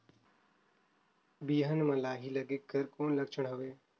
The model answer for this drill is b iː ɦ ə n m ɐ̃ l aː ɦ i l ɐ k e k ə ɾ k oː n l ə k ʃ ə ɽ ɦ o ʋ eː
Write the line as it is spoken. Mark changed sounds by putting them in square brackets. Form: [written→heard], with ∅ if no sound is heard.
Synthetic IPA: b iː ɦ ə n m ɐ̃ l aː ɦ i l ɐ [k→ɡ] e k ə ɾ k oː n l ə k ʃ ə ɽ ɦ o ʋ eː